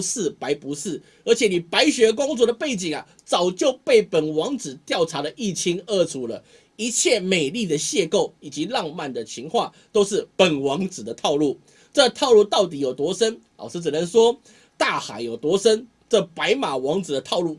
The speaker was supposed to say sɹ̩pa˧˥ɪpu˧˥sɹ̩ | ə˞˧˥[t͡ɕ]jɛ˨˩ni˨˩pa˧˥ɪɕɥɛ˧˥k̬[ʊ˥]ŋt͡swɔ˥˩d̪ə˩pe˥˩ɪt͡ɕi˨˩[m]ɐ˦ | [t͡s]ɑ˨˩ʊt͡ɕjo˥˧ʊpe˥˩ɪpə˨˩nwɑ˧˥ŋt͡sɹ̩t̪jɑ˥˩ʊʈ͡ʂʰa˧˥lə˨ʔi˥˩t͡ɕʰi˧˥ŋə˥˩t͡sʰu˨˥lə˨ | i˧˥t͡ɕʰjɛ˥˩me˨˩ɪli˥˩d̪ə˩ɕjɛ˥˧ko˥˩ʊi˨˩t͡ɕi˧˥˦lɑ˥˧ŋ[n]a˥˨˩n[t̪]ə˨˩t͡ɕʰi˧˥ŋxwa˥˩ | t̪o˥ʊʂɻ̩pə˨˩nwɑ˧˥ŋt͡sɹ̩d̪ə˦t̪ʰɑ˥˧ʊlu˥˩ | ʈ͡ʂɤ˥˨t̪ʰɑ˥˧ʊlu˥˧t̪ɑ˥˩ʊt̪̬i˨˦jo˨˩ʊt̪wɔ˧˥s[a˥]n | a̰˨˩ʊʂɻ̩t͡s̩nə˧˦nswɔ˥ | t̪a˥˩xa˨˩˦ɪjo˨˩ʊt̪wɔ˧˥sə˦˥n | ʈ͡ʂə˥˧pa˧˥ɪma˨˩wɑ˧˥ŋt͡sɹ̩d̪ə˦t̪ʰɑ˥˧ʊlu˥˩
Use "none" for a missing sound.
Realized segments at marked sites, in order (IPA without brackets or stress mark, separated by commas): t͡ɕʰ, ʊ˥, ŋ, t͡s, m, d̪, ə˥